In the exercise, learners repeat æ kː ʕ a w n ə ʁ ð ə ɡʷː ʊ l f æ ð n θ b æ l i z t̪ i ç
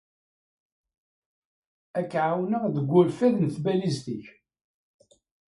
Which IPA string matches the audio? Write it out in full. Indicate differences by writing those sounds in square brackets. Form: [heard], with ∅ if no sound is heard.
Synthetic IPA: æ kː ʕ a w n ə ʁ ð ə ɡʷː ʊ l f æ ð n θ b æ l i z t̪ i ç